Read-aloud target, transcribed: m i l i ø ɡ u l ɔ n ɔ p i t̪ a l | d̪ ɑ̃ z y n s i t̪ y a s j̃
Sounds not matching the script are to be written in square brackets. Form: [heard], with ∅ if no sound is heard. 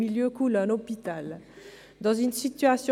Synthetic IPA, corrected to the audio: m i l [j] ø [k] u l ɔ n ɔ p i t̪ a l | d̪ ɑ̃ z y n s i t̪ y a s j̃

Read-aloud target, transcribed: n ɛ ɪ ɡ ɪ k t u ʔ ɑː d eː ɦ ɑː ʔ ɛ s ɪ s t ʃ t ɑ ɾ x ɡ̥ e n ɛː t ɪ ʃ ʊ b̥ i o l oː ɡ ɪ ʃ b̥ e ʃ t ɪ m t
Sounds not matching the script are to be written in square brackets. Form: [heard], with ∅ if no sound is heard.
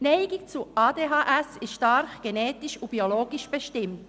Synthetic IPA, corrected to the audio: n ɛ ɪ ɡ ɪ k [t͡s] u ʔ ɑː d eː ɦ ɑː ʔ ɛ s ɪ s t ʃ t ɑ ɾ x ɡ̥ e n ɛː t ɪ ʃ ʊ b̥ i o l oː ɡ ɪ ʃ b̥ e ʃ t ɪ m t

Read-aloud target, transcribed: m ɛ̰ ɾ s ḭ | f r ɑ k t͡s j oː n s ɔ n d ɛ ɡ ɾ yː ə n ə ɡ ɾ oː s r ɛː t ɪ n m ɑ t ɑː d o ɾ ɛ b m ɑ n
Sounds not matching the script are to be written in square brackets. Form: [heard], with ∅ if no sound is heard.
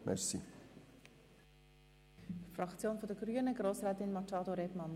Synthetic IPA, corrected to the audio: m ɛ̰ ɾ s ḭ | f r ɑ k t͡s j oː n [f] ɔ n d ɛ ɡ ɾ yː ə n ə ɡ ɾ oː s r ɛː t ɪ n m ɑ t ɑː d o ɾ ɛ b m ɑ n

